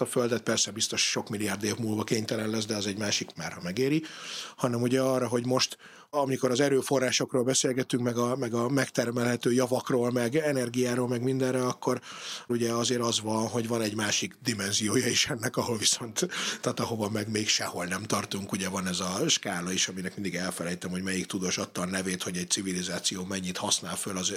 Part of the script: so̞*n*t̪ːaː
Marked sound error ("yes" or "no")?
no